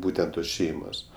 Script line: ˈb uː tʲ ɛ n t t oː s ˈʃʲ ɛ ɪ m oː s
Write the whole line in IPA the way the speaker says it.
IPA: ˈb uː tʲ ɛ n t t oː s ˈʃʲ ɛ ɪ m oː s

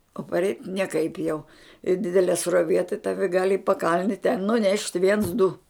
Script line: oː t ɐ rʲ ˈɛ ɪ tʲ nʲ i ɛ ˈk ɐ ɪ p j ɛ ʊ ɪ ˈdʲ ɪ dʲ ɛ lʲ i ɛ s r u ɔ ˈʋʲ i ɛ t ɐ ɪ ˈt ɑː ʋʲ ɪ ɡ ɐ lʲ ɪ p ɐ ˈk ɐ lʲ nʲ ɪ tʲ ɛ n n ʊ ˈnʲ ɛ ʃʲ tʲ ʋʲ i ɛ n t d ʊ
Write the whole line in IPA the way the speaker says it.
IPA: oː p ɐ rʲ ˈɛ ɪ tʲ nʲ i ɛ ˈk ɐ ɪ p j ɛ ʊ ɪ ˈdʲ ɪ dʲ ɛ lʲ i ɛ s r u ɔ ˈʋʲ i ɛ t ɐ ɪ ˈt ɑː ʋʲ ɪ ɡ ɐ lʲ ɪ p ɐ ˈk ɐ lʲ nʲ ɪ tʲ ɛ n n ʊ ˈnʲ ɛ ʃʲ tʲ ʋʲ i ɛ n s d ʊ

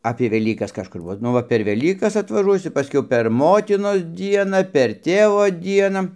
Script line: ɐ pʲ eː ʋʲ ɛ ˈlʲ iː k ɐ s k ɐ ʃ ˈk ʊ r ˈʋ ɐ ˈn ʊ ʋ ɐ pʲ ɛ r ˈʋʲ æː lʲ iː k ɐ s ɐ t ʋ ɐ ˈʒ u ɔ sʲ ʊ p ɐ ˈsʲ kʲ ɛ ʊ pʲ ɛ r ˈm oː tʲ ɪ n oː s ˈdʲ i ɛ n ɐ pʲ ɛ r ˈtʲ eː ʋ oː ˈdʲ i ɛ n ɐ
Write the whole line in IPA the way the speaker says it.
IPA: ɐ pʲ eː ʋʲ ɛ ˈlʲ iː k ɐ s k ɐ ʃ ˈk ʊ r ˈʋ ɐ ˈn ʊ ʋ ɐ pʲ ɛ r ˈʋʲ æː lʲ iː k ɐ s ɐ t ʋ ɐ ˈʒ u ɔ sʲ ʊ p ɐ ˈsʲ kʲ ɛ ʊ pʲ ɛ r ˈm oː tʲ ɪ n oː s ˈdʲ i ɛ n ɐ pʲ ɛ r ˈtʲ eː ʋ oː ˈdʲ i ɛ n ɐ

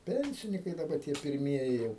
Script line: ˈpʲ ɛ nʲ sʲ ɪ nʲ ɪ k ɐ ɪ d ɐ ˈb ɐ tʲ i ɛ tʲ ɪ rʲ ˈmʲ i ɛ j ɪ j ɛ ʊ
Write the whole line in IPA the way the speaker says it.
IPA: ˈpʲ ɛ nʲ sʲ ɪ nʲ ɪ k ɐ ɪ d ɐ ˈb ɐ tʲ i ɛ pʲ ɪ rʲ ˈmʲ i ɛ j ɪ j ɛ ʊ

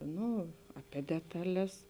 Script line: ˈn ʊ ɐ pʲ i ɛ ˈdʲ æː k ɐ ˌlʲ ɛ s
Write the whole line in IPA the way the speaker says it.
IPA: ˈn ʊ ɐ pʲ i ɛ ˈdʲ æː t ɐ ˌlʲ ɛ s

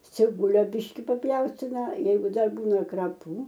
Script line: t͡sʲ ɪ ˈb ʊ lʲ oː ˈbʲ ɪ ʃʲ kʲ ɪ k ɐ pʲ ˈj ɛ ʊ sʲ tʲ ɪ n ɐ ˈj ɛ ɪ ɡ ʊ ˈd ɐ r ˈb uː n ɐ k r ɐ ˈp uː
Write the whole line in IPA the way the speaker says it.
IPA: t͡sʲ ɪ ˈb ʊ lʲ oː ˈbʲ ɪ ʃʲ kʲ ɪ p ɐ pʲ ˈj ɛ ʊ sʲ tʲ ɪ n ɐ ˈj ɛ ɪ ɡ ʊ ˈd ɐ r ˈb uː n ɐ k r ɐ ˈp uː

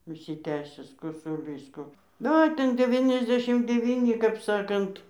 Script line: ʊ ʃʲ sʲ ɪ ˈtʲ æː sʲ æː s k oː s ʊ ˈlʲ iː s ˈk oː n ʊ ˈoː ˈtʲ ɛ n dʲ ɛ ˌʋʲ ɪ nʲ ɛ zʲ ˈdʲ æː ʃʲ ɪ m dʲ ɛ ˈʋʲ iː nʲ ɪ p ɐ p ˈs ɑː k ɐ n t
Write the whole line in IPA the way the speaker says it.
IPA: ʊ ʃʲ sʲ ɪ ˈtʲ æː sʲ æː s k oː s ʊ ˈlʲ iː s ˈk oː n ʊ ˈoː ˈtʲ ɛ n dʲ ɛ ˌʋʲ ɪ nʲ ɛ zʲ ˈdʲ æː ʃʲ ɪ m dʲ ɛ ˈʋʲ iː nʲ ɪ k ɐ p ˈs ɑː k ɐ n t

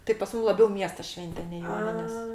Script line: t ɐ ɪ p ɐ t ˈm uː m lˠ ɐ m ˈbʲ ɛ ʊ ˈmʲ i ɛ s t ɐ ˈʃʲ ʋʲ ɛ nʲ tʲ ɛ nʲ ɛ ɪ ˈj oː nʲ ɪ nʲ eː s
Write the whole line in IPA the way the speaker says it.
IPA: t ɐ ɪ p ɐ s ˈm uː m lˠ ɐ ˈbʲ ɛ ʊ ˈmʲ i ɛ s t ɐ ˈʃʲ ʋʲ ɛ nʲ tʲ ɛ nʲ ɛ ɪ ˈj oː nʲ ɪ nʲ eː s

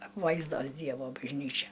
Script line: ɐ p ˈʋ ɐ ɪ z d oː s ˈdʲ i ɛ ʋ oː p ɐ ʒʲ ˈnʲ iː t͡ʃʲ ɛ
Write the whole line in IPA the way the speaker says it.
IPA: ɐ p ˈʋ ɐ ɪ z d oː s ˈdʲ i ɛ ʋ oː b ɐ ʒʲ ˈnʲ iː t͡ʃʲ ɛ

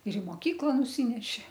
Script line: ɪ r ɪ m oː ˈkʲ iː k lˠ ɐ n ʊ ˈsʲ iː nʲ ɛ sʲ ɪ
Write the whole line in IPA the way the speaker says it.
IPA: ɪ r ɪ m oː ˈkʲ iː k lˠ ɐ n ʊ ˈsʲ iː nʲ ɛ ʃʲ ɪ

